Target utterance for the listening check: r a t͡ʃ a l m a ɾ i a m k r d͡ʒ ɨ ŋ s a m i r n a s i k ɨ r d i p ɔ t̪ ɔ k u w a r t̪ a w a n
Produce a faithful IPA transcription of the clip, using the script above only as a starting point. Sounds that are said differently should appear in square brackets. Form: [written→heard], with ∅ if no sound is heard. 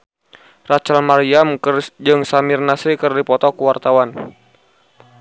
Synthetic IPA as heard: r a t͡ʃ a l m a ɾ i a m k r d͡ʒ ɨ ŋ s a m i r n a s i k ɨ r d i p ɔ t̪ ɔ k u w a r t̪ a w a n